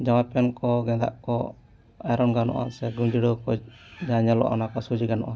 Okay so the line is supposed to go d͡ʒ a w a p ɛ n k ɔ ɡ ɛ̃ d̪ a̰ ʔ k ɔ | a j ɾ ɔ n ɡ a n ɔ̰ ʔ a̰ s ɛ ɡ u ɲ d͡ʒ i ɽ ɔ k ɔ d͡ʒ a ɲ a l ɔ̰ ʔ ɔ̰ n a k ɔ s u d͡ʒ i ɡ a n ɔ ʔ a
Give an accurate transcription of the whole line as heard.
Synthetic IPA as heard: d͡ʒ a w a p ɛ n k ɔ ɡ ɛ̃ d̪ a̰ ʔ k ɔ | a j ɾ ɔ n ɡ a n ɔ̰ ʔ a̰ s ɛ ɡ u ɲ d͡ʒ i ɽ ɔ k ɔ d͡ʒ a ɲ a l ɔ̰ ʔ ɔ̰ n a k ɔ s u d͡ʒ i ɡ a n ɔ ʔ a